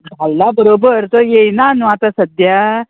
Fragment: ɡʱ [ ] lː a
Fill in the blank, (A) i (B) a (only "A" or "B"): B